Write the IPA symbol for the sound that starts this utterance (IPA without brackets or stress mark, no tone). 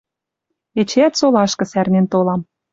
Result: e